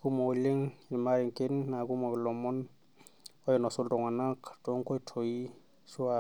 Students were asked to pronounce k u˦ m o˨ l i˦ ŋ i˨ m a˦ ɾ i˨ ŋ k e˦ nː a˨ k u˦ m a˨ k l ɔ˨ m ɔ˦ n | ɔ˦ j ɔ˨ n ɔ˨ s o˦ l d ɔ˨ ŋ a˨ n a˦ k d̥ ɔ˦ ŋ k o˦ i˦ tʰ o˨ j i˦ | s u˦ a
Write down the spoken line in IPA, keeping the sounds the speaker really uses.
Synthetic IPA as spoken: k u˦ m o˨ l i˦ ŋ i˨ m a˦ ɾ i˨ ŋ k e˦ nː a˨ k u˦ m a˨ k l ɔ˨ m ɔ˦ n | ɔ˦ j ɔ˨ n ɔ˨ s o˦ l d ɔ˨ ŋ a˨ n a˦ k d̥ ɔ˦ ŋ k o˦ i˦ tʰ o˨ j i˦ | s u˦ a

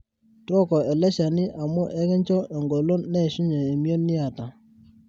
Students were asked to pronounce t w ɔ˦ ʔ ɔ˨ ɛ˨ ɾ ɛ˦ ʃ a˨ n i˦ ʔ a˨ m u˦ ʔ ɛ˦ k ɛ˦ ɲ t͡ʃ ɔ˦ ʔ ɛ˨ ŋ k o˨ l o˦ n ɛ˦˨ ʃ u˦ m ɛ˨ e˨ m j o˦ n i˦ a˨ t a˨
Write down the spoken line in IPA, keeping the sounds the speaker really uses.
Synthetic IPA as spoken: t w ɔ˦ k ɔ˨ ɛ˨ l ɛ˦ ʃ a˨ n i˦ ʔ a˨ m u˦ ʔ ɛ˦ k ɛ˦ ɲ t͡ʃ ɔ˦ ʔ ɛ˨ ŋ ɡ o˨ l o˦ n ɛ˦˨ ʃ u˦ ɲ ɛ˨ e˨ m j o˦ n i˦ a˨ t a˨

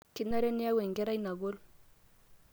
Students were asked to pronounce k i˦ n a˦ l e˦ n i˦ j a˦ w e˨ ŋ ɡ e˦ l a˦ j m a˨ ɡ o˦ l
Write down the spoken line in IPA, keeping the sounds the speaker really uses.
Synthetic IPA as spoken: k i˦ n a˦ ɾ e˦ n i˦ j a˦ w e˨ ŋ ɡ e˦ ɾ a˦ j n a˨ ɡ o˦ l

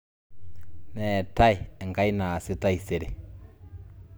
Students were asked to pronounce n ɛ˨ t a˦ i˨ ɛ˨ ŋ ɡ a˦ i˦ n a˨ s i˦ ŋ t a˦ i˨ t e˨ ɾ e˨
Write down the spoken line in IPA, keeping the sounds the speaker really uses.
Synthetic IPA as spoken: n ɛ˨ t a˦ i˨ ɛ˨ ŋ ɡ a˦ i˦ n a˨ s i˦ t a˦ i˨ s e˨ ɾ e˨

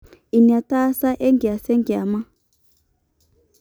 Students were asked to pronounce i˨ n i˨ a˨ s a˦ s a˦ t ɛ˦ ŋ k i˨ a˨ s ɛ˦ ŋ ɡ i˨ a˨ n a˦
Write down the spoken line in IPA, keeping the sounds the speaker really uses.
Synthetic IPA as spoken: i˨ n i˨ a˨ t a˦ s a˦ ʔ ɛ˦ ŋ ɡ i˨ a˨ s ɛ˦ ŋ ɡ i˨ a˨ m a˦

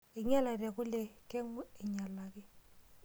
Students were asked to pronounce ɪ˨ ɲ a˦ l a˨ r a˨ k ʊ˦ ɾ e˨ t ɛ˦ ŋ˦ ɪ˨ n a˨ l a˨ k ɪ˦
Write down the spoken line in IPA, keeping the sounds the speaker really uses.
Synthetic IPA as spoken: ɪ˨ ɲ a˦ l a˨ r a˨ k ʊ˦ l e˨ k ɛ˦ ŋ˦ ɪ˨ ɲ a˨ l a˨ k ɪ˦

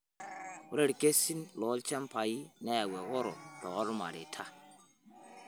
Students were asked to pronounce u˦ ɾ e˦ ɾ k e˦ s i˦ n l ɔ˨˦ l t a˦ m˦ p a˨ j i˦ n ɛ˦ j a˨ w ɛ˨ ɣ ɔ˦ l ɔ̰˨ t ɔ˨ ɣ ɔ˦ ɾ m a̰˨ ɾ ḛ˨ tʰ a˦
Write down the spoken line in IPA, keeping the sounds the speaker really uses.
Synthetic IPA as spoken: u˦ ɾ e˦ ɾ k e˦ s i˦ n l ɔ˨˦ l t͡ʃ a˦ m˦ p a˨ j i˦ n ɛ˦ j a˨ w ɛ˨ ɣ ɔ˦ ɾ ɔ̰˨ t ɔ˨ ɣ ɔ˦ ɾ m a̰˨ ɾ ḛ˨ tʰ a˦

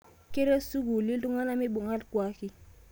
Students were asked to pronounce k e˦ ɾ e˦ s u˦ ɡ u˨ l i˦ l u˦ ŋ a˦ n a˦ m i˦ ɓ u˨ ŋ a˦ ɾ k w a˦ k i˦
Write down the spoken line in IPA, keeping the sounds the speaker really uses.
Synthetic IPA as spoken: k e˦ ɾ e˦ s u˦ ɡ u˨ l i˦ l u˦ ŋ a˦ n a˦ m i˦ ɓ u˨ ŋ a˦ l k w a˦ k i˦

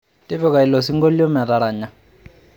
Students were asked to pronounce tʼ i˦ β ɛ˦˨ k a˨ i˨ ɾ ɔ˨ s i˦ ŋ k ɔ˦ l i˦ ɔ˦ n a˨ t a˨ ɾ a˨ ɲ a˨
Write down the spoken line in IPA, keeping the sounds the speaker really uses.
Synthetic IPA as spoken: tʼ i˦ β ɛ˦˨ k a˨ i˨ l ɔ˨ s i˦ ŋ ɡ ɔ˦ l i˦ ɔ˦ m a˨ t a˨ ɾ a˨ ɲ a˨

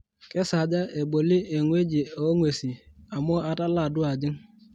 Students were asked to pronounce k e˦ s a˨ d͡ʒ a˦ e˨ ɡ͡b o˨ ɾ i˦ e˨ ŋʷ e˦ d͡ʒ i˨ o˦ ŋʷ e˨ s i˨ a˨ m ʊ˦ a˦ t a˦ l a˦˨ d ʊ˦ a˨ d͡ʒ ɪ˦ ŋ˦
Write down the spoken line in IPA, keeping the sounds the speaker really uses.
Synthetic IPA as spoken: k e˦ s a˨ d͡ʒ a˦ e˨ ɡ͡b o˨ l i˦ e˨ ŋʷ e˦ d͡ʒ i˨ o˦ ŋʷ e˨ s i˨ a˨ m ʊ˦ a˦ t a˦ l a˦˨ d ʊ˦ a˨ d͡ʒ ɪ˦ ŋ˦

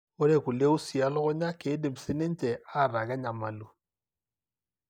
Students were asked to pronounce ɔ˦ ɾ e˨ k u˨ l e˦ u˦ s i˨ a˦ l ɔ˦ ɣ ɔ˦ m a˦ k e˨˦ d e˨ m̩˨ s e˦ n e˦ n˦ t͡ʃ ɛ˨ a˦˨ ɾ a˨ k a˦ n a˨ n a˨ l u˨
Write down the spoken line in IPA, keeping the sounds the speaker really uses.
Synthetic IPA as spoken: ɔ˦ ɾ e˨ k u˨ l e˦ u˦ s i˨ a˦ l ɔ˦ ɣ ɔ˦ ɲ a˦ k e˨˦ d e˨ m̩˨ s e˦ n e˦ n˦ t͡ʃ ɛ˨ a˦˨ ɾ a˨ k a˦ ɲ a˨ m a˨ l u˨

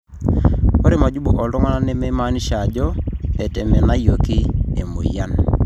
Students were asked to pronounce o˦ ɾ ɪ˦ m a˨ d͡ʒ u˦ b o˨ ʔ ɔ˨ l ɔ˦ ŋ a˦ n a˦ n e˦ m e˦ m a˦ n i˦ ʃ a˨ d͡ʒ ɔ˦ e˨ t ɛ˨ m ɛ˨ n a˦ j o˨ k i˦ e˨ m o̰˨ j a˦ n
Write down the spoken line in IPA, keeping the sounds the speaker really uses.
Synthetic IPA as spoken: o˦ ɾ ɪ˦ m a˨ d͡ʒ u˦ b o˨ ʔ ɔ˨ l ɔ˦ ŋ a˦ n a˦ n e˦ m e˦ m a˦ n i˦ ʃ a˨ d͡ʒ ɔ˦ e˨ t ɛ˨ m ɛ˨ n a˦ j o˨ k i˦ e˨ m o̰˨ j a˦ n

